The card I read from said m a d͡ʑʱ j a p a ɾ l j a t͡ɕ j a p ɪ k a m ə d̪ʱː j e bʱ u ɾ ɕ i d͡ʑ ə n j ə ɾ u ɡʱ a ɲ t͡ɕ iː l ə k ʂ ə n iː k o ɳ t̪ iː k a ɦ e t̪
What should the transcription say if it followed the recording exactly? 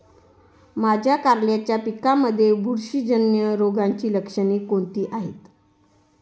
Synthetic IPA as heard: m a d͡ʑʱ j a k a ɾ l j a t͡ɕ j a p i k a m ə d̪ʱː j e bʱ u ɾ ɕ i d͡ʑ ə n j ə ɾ o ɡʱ a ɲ t͡ɕ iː l ə k ʂ ə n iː k o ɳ t̪ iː ʔ a ɦ e t̪

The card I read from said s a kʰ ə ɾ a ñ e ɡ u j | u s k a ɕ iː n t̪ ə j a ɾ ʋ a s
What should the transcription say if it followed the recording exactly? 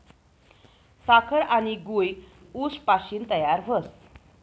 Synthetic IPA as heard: s a kʰ ə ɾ a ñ i ɡ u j | u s p a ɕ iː n t̪ ə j a ɾ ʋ ə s

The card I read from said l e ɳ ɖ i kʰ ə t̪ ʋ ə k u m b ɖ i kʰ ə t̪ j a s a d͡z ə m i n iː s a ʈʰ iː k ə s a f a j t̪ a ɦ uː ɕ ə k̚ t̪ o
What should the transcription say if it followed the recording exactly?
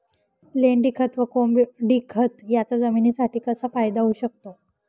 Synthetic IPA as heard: l e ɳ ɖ i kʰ ə t̪ ʋ ə k o m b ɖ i kʰ ə t̪ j a t͡s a d͡z ə m i n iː s a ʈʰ iː k ə s a f a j d̪ a ɦ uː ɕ ə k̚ t̪ o

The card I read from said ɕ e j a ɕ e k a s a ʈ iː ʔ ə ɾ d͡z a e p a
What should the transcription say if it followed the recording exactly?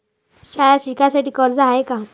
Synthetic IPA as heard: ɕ a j a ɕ i k a s a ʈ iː k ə ɾ d͡z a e k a

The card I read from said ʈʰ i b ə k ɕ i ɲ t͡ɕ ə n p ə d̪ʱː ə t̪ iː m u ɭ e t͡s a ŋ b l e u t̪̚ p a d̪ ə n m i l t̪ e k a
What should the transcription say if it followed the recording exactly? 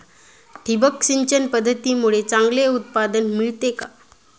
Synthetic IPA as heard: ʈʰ i b ə k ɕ i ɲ t͡ɕ ə n p ə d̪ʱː ə t̪ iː m u ɭ e t͡s a ŋ ɡ l e u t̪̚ p a d̪ ə n m i ɭ t̪ e k a

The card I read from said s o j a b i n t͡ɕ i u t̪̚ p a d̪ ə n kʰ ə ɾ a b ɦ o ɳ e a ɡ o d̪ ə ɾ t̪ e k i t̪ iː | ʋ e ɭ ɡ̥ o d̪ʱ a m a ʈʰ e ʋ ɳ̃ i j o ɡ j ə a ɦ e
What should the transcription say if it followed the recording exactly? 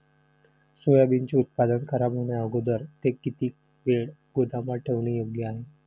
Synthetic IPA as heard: s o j a b i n t͡ɕ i u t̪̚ p a d̪ ə n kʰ ə ɾ a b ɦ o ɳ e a ɡ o d̪ ə ɾ t̪ e k i t̪ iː | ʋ e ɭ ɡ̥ o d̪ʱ a m a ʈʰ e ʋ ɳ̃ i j o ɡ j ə a ɦ e

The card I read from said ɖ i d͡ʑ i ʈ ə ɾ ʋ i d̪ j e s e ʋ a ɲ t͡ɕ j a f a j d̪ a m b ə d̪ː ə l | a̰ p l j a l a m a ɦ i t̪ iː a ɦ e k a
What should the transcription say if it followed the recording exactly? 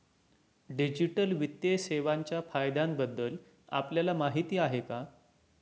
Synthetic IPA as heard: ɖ i d͡ʑ i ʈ ə l ʋ i t̪ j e s e ʋ a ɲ t͡ɕ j a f a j d̪ a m b ə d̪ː ə l | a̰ p l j a l a m a ɦ i t̪ iː a ɦ e k a

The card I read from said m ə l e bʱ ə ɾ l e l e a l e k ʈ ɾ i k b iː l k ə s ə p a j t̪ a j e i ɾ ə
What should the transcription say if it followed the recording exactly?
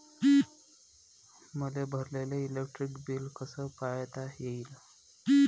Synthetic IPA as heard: m ə l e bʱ ə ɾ l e l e i l e k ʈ ɾ i k b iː l k ə s ə p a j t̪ a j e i l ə

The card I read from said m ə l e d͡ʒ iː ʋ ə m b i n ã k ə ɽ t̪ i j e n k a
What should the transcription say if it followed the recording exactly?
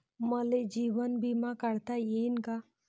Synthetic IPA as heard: m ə l e d͡ʒ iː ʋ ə n b i m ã k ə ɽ t̪ a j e n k a

